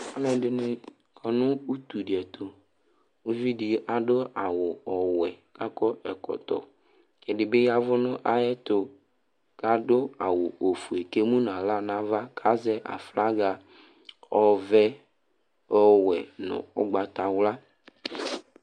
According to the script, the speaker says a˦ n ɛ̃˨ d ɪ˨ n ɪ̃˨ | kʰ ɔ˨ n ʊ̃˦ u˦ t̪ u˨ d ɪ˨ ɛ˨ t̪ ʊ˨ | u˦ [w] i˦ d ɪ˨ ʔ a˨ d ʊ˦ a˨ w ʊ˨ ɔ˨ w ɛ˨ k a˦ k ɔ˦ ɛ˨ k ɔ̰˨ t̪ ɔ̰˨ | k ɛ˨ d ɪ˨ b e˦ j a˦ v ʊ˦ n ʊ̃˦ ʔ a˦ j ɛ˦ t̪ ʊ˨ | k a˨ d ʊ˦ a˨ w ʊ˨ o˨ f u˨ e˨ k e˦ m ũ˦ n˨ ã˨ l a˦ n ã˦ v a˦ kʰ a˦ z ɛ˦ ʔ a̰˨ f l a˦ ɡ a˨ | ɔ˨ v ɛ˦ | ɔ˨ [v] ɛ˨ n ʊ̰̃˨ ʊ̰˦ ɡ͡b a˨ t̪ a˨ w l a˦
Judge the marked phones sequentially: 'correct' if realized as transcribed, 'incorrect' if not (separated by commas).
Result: incorrect, incorrect